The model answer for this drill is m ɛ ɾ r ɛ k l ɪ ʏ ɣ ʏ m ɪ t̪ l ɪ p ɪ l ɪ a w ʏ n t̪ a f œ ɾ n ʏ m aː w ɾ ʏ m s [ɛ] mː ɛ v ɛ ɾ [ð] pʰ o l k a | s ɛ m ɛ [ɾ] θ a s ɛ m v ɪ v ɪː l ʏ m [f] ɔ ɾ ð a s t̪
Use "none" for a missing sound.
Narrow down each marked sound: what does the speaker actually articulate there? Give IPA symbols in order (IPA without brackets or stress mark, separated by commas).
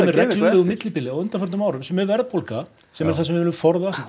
ɛ, ð, ɾ, f